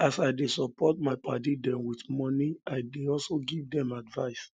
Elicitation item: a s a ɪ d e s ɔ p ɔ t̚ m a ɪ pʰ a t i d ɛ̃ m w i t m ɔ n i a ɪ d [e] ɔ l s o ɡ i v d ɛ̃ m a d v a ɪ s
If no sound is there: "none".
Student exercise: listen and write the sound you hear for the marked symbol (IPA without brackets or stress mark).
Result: e